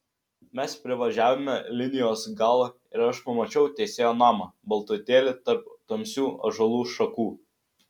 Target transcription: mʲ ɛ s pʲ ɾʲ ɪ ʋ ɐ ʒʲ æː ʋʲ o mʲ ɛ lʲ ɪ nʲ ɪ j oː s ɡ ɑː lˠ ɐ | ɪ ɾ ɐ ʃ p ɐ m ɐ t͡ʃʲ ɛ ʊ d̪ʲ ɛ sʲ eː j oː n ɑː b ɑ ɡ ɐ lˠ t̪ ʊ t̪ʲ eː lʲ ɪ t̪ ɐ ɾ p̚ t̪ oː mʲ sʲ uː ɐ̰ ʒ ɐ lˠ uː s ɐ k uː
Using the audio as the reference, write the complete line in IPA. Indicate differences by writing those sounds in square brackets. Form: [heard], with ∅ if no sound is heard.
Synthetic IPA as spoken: mʲ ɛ s pʲ ɾʲ ɪ ʋ ɐ ʒʲ æː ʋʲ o mʲ ɛ lʲ ɪ nʲ ɪ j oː s ɡ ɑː lˠ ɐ | ɪ ɾ ɐ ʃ p ɐ m ɐ t͡ʃʲ ɛ ʊ [t̪ʲ] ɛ sʲ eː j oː n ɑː [m] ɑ [b] ɐ lˠ t̪ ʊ t̪ʲ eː lʲ ɪ t̪ ɐ ɾ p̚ t̪ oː mʲ sʲ uː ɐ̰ ʒ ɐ lˠ uː [ʃ] ɐ k uː